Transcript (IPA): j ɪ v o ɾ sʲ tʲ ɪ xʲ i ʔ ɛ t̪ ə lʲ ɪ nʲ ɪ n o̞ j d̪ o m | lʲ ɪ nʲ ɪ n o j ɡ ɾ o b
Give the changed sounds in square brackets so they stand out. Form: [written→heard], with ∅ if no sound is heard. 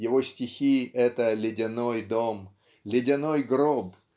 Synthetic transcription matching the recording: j ɪ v o [ɾ→∅] sʲ tʲ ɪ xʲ i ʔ ɛ t̪ ə lʲ ɪ [nʲ→dʲ] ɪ n o̞ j d̪ o m | lʲ ɪ [nʲ→dʲ] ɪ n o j ɡ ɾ o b